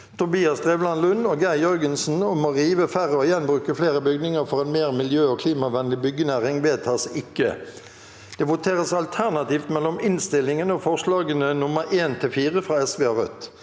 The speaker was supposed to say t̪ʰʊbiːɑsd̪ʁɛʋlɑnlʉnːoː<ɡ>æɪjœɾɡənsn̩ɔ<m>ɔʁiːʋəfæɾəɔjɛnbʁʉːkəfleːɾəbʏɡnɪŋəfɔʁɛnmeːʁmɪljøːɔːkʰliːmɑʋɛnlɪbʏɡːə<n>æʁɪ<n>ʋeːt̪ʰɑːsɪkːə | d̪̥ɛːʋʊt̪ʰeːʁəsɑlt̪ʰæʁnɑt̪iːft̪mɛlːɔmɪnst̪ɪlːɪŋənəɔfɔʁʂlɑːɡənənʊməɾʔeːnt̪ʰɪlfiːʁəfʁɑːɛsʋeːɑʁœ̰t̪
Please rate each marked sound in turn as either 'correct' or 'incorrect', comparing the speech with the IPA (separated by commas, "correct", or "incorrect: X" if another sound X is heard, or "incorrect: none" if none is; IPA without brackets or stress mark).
correct, correct, correct, incorrect: ŋ